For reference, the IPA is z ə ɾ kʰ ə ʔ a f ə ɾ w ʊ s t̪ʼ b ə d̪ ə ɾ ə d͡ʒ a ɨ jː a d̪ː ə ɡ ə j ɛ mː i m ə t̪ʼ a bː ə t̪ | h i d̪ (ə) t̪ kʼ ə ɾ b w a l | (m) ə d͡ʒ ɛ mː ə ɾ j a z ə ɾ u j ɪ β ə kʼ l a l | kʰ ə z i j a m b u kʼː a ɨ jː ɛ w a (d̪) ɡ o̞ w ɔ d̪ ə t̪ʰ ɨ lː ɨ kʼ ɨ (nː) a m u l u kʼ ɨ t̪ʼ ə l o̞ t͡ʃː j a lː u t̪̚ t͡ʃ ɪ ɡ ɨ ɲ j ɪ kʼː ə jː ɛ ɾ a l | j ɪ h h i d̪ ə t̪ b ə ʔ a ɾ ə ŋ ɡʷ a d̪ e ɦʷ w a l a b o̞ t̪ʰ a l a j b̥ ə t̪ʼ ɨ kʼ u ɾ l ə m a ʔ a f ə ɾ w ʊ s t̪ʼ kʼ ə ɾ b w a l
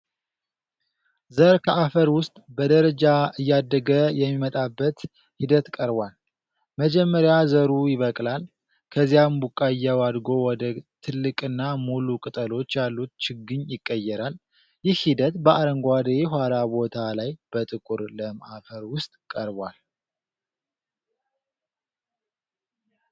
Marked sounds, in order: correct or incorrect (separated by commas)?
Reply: correct, correct, correct, correct